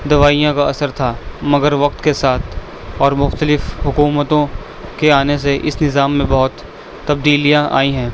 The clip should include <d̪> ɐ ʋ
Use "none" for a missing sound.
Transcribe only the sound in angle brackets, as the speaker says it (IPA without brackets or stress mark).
d̪